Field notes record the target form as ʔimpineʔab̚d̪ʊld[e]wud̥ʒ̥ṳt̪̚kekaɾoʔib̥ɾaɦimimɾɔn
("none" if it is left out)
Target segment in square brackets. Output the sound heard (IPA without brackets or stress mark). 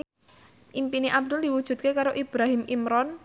i